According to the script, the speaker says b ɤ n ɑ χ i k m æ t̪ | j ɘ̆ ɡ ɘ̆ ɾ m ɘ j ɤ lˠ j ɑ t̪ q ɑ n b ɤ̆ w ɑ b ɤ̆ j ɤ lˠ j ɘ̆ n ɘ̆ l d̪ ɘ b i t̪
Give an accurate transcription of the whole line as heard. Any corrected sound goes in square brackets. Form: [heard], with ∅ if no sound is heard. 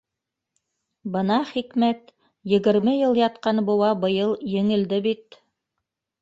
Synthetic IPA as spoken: b ɤ n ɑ χ i k m æ t̪ | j ɘ̆ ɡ ɘ̆ ɾ m ɘ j ɤ lˠ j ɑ t̪ q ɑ n b ɤ̆ w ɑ b ɤ̆ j ɤ lˠ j ɘ̆ [ŋ] ɘ̆ l d̪ ɘ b i t̪